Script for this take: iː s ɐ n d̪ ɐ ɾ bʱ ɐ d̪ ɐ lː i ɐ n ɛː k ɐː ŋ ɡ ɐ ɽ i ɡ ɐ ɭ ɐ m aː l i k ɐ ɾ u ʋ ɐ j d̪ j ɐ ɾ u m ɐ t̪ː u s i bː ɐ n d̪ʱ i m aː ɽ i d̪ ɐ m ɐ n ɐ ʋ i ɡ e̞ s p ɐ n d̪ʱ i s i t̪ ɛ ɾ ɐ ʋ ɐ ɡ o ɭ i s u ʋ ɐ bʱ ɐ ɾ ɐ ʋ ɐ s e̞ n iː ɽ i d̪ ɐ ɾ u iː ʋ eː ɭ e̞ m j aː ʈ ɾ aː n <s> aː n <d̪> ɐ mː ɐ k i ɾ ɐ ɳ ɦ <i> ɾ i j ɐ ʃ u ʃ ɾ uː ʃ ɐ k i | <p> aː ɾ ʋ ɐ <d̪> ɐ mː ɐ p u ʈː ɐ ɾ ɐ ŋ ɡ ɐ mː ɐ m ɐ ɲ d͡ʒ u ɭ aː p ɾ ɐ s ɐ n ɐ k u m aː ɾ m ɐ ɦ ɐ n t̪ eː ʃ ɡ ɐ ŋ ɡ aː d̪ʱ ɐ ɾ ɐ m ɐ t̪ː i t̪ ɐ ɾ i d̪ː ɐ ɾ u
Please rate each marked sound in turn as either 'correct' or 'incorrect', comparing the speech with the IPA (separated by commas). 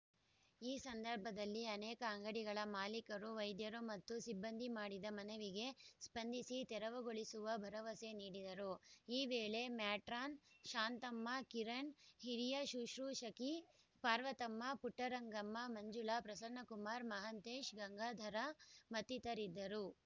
incorrect, incorrect, correct, correct, incorrect